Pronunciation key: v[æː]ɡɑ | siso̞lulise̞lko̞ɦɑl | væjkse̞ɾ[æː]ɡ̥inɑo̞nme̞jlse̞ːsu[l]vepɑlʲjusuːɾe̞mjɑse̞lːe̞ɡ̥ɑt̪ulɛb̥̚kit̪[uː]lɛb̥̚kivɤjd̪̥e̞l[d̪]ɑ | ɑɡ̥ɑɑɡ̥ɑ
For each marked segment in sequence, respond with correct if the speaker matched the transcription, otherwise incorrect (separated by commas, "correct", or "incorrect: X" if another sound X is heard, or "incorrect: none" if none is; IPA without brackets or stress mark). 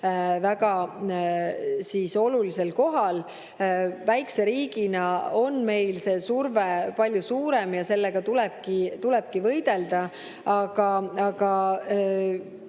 incorrect: æ, incorrect: iː, incorrect: r, incorrect: u, correct